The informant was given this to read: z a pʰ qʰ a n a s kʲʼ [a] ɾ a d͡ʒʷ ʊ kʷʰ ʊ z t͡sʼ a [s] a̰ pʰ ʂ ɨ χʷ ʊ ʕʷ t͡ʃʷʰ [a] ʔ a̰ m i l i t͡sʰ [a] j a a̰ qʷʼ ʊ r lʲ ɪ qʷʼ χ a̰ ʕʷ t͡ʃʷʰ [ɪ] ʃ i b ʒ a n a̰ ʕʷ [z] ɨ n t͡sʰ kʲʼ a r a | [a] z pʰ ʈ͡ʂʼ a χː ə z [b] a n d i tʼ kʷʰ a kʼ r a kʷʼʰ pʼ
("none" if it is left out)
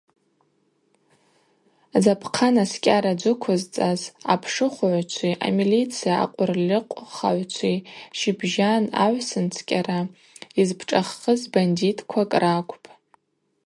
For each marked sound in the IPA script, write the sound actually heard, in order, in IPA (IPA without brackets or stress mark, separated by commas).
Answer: a, z, i, i, i, s, i, b